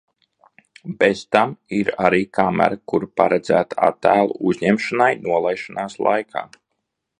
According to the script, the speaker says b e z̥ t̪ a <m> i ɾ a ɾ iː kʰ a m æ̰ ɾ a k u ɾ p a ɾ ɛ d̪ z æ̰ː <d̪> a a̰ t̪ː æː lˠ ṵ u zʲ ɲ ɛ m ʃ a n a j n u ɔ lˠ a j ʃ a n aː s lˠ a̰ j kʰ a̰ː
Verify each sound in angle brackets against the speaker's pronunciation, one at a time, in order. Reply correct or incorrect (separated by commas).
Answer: correct, incorrect